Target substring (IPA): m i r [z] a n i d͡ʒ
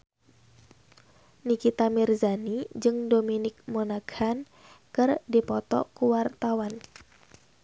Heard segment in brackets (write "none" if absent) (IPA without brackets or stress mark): z